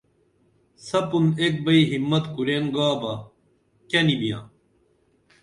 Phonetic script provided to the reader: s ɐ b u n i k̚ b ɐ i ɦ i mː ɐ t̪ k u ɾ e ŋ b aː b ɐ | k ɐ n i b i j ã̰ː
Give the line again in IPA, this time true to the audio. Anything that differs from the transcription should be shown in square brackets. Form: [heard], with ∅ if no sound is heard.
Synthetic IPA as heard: s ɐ [p] u n [e] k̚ b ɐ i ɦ i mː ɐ t̪ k u ɾ e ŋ [ɡ] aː b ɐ | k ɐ n i b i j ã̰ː